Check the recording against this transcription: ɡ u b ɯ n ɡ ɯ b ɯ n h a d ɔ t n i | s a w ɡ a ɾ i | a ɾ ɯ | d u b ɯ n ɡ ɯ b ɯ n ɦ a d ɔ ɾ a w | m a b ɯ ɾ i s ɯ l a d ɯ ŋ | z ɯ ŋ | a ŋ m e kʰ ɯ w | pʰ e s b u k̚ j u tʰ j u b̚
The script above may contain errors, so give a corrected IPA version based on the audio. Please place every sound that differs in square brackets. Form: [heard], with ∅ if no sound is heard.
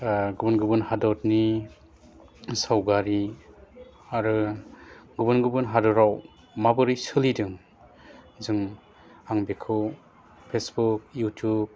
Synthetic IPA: ɡ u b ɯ n ɡ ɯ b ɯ n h a d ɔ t n i | s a w ɡ a ɾ i | a ɾ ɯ | [ɡ] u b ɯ n ɡ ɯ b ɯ n ɦ a d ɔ ɾ a w | m a b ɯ ɾ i s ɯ l [i] d ɯ ŋ | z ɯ ŋ | a ŋ [b] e kʰ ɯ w | pʰ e s b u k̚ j u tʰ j u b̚